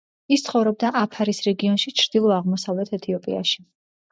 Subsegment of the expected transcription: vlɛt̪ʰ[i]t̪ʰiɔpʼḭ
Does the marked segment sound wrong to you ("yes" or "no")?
yes